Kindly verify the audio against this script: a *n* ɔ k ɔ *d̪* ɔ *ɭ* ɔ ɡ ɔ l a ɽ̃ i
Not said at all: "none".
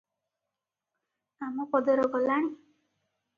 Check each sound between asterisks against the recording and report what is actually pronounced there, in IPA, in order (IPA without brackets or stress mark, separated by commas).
m, d̪, ɾ